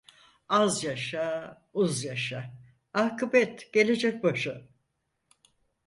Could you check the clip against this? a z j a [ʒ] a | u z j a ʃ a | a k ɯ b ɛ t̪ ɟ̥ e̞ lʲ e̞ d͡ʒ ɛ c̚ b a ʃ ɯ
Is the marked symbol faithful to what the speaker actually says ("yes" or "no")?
no